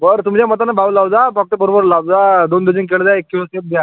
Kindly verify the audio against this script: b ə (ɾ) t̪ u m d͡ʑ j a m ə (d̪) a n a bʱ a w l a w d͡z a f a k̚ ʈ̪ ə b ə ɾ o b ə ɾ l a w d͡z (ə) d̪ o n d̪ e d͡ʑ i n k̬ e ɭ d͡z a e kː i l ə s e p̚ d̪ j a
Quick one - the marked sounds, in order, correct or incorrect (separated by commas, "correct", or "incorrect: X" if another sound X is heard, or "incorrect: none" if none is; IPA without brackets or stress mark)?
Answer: correct, incorrect: t̪, incorrect: a